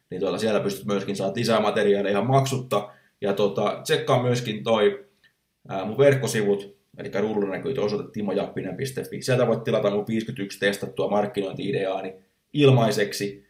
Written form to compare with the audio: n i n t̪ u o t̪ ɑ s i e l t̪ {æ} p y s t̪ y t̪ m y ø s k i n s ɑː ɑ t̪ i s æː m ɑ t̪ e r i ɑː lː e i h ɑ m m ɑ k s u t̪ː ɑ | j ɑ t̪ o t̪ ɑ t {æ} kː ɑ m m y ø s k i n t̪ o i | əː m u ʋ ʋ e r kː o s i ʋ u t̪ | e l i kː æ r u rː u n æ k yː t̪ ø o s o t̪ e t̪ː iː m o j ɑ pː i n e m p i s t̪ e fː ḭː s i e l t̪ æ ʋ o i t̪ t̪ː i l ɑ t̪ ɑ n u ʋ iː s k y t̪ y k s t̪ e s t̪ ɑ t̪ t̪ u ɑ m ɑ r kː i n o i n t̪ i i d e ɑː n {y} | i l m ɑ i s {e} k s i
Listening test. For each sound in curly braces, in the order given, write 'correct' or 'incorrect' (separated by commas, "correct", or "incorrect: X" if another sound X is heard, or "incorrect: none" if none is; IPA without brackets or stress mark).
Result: correct, incorrect: e, incorrect: i, correct